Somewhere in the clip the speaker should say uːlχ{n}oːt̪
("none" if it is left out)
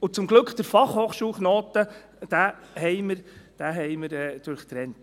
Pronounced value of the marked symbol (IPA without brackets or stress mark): n